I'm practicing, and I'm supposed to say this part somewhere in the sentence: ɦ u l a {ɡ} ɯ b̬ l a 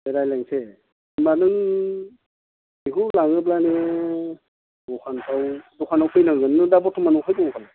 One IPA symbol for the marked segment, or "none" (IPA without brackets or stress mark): ŋ